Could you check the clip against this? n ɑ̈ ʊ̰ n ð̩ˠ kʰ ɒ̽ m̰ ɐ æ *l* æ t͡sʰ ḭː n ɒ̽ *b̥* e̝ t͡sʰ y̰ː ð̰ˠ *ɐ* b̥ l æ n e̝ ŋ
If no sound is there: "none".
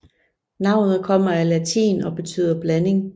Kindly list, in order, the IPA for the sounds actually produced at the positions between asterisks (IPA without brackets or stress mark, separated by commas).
l, b̥, ɐ